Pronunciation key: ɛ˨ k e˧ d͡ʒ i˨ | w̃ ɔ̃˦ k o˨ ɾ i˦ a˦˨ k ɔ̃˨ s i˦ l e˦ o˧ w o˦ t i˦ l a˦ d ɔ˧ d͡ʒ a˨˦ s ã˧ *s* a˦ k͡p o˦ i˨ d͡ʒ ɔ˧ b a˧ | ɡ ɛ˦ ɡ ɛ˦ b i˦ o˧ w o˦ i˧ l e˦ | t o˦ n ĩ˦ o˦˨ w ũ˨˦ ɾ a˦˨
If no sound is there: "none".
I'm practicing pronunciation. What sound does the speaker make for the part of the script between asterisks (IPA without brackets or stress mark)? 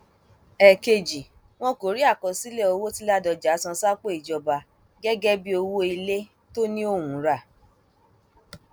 s